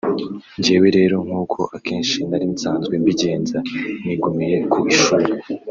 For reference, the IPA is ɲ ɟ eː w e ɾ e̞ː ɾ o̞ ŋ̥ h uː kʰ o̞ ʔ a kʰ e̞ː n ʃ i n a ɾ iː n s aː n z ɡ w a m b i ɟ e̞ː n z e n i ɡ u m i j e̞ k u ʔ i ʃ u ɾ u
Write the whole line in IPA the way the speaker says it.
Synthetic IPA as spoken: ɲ ɟ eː w e ɾ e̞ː ɾ o̞ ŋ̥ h uː kʰ o̞ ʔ a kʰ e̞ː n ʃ i n a ɾ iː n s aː n z ɡ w e m b i ɟ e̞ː n z a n i ɡ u m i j e̞ k u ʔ i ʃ u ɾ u